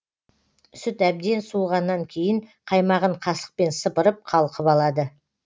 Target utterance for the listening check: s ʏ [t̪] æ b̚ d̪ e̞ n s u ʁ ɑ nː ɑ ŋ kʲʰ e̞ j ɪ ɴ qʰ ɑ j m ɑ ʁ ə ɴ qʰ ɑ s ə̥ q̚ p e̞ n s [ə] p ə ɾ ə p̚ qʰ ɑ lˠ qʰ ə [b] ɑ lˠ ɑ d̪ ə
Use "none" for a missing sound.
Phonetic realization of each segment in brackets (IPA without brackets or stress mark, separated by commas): t̪, ə, p